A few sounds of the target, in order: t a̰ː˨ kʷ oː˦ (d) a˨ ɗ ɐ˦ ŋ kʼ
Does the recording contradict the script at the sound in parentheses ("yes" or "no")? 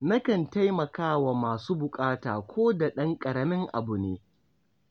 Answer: no